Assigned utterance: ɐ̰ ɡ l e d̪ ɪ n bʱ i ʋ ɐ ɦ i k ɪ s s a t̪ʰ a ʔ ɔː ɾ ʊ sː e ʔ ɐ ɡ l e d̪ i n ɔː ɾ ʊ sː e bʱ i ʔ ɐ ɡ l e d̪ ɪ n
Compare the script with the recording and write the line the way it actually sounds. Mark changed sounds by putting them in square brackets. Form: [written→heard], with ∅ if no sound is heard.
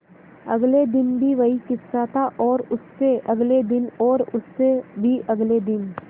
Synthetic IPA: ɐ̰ ɡ l e d̪ ɪ n bʱ i ʋ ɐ ɦ i k ɪ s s a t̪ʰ a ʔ ɔː ɾ ʊ sː e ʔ ɐ ɡ l e d̪ [i→ɪ] n ɔː ɾ ʊ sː e bʱ i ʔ ɐ ɡ l e d̪ ɪ n